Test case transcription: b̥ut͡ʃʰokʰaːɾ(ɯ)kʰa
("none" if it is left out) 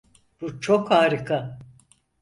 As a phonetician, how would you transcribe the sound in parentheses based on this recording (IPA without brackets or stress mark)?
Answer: ɯ